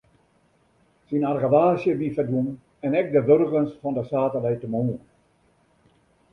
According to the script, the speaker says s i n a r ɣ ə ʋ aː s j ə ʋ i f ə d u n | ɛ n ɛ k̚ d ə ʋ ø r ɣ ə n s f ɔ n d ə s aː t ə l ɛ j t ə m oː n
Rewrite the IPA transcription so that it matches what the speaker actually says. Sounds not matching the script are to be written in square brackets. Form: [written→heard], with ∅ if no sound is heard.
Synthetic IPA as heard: s i n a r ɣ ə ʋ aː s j ə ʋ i f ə d u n | ɛ n ɛ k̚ d ə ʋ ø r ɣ ə n s f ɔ n d ə s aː t ə l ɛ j t ə m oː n